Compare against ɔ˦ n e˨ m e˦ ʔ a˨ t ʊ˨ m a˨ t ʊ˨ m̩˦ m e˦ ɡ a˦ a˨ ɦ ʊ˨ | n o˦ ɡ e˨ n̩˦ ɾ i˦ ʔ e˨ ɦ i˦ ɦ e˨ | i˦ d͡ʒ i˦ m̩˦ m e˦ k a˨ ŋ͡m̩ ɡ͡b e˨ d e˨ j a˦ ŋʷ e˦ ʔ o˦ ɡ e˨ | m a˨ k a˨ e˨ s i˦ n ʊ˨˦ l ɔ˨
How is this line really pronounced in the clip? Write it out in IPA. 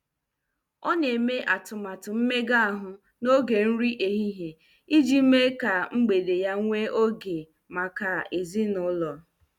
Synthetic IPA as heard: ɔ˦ n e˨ m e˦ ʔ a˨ t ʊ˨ m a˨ t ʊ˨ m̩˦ m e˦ ɡ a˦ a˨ ɦ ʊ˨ | n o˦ ɡ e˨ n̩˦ ɾ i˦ ʔ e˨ ɦ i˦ ɦ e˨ | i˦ d͡ʒ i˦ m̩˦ m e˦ k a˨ ŋ͡m̩ ɡ͡b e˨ d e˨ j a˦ ŋʷ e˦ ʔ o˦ ɡ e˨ | m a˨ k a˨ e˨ z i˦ n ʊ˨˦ l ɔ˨